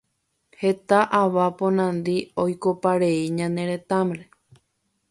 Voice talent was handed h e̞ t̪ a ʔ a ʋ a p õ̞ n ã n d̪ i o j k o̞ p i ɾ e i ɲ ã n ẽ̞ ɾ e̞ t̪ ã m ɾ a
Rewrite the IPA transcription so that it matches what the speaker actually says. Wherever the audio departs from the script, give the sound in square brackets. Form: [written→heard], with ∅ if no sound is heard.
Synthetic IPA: h e̞ t̪ a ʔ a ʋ a p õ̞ n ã n d̪ i o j k o̞ p [i→a] ɾ e i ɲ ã n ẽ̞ ɾ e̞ t̪ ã m ɾ [a→e]

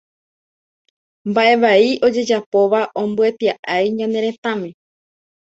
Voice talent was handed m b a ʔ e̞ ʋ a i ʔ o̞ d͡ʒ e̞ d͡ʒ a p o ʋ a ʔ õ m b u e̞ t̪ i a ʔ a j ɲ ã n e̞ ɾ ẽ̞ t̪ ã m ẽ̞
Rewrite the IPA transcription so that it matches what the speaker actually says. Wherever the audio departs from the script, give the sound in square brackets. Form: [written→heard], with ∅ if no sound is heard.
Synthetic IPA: m b a ʔ e̞ ʋ a i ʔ o̞ d͡ʒ e̞ d͡ʒ a p o ʋ a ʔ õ m b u e̞ t̪ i a ʔ a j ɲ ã n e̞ ɾ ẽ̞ t̪ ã m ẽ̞

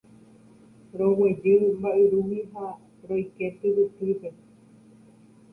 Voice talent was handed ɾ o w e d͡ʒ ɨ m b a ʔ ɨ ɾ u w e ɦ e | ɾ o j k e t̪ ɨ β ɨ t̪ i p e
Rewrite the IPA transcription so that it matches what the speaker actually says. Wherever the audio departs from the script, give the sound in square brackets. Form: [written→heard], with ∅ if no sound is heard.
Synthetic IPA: ɾ o w e d͡ʒ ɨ m b a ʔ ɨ ɾ u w [e→i] ɦ [e→a] | ɾ o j k e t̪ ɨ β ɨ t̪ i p e

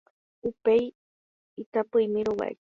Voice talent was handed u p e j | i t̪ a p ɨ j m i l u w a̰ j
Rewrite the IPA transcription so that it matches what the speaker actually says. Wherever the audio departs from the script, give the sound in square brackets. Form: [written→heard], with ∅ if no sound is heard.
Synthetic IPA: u p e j | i t̪ a p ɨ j m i [l→ɾ] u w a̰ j

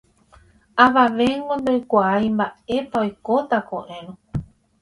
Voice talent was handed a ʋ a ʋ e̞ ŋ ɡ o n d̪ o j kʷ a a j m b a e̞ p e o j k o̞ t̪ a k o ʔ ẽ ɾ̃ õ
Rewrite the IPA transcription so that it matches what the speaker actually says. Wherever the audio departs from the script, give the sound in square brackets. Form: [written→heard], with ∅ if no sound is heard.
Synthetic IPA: a ʋ a ʋ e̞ ŋ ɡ o n d̪ o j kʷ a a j m b a e̞ p [e→a] o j k o̞ t̪ a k o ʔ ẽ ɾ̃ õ

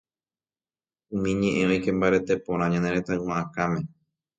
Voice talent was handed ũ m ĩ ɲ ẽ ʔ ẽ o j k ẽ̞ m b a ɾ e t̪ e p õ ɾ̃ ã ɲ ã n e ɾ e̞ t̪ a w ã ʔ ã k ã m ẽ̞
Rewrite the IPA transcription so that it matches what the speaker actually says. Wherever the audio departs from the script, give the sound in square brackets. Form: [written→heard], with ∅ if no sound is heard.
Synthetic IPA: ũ m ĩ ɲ ẽ ʔ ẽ o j k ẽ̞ m b a ɾ e t̪ e p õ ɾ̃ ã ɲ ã n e ɾ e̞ t̪ a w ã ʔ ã k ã m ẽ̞

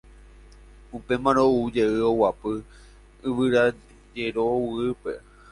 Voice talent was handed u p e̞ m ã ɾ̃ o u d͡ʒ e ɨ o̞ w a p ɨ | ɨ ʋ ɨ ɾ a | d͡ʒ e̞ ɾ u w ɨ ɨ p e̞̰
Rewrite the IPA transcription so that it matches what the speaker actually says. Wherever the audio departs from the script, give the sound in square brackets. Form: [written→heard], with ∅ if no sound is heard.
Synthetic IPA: u p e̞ m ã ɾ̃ o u d͡ʒ e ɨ o̞ w a p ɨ | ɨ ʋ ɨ ɾ a | d͡ʒ e̞ ɾ [u→o] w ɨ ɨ p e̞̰

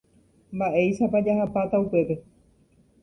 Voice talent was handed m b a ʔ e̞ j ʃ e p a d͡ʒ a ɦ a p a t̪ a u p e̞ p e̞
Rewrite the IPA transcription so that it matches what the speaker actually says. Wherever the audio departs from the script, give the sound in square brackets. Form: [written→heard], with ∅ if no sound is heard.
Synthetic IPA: m b a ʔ e̞ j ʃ [e→a] p a d͡ʒ a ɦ a p a t̪ a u p e̞ p e̞

